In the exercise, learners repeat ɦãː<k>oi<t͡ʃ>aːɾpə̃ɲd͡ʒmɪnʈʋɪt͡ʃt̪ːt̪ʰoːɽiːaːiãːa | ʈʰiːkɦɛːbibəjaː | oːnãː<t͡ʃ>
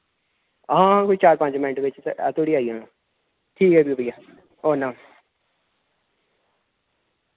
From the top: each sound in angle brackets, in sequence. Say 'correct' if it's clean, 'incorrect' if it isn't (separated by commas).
correct, correct, incorrect